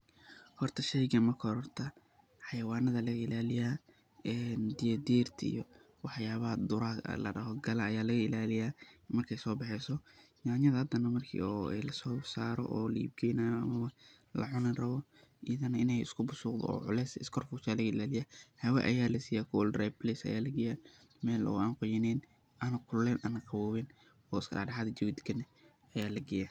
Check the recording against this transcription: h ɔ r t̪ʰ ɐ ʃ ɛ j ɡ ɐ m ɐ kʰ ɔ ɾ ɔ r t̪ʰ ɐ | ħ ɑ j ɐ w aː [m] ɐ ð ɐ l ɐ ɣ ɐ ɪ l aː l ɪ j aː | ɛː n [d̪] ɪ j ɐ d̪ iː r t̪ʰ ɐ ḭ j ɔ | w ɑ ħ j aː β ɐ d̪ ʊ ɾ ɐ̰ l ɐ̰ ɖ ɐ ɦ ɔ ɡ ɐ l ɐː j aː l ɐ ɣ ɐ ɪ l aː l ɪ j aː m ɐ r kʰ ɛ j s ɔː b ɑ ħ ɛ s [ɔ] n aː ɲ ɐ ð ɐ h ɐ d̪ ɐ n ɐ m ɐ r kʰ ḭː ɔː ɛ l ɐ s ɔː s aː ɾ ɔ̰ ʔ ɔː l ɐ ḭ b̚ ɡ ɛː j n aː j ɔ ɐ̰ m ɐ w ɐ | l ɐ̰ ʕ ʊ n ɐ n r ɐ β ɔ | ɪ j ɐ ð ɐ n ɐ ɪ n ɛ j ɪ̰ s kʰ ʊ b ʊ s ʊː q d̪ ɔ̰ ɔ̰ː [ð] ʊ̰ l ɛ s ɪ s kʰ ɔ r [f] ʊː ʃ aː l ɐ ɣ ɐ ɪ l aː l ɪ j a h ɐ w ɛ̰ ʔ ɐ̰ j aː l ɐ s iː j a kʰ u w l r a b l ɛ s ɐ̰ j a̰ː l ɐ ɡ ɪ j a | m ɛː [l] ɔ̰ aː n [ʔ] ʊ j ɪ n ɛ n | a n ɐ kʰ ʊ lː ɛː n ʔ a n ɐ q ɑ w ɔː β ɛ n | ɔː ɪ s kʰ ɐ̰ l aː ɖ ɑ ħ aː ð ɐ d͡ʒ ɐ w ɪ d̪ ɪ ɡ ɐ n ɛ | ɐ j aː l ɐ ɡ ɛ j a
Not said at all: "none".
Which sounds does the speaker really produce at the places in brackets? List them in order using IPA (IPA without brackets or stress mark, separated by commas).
n, d̪, ɔ, ʕ, f, l, q